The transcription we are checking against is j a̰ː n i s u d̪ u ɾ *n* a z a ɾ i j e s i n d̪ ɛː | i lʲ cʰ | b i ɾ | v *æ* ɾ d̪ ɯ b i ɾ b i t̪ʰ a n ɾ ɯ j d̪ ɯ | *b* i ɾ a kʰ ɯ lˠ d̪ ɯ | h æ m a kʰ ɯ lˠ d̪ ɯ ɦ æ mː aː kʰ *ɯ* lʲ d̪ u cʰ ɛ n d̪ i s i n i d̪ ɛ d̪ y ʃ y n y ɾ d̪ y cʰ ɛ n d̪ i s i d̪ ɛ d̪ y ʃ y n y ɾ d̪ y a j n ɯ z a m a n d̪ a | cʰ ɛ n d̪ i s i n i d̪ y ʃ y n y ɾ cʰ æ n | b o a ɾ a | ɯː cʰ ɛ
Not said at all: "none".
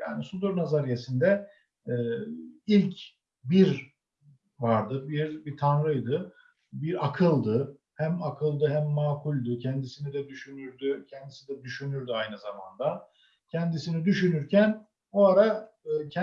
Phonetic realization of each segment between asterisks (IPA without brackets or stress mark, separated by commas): n, a, b, u